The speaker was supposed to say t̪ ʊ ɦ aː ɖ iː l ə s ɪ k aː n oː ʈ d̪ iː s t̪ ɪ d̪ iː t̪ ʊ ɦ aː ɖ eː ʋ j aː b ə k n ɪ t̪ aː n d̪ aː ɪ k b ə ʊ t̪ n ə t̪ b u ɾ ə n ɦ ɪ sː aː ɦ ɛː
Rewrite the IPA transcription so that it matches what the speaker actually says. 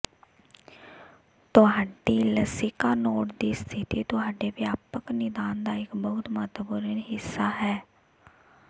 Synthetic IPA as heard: t̪ ʊ ɦ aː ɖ iː l ə s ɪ k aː n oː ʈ d̪ iː s t̪ʰ ɪ t̪ iː t̪ ʊ ɦ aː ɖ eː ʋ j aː p ə k n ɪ d̪ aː n d̪ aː ɪ k b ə ʊ t̪ m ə t̪ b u ɾ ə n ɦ ɪ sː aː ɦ ɛː